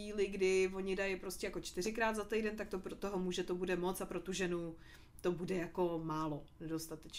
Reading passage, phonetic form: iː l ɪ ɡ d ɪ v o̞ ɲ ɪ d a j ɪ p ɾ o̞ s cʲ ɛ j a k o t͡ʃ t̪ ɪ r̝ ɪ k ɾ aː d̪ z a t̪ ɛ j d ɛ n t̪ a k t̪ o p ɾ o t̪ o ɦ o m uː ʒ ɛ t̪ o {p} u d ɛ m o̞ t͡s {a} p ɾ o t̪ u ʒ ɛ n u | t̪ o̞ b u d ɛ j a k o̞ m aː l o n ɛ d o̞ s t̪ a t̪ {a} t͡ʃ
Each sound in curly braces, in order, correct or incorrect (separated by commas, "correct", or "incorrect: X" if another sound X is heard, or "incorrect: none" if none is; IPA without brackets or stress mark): incorrect: b, correct, incorrect: ɛ